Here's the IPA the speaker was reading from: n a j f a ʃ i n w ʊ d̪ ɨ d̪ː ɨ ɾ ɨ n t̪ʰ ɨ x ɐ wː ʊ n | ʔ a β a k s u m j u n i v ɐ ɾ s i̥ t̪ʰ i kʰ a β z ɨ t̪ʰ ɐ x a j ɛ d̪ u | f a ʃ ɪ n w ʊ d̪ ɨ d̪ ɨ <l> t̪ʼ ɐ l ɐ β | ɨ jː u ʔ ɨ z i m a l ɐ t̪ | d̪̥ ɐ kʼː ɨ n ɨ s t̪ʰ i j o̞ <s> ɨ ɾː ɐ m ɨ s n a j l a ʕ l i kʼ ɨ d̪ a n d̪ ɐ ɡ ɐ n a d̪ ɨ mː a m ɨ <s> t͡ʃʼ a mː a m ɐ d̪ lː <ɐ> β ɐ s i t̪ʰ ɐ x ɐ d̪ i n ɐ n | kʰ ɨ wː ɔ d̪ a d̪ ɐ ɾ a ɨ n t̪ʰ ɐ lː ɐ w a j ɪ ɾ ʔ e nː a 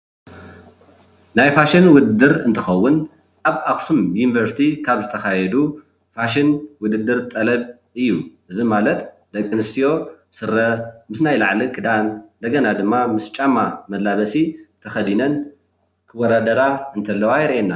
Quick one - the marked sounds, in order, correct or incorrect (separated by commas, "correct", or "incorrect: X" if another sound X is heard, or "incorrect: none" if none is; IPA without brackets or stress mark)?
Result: incorrect: ɾ, correct, correct, incorrect: a